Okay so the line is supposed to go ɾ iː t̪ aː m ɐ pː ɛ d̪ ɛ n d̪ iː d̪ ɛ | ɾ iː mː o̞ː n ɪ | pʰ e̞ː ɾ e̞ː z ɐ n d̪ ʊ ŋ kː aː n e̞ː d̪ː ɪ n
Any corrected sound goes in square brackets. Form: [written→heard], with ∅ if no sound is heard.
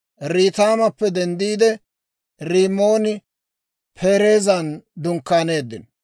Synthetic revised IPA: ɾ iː t̪ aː m ɐ pː ɛ d̪ ɛ n d̪ iː d̪ ɛ | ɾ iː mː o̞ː n ɪ | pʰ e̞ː ɾ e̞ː z ɐ n d̪ ʊ ŋ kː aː n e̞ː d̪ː ɪ n